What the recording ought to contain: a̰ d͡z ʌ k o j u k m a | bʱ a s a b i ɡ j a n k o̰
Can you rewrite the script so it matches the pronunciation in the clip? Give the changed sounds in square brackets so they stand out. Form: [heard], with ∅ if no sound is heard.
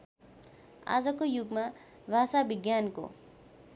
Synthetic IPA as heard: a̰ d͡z ʌ k o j u [ɡ] m a | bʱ a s a b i ɡ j a n k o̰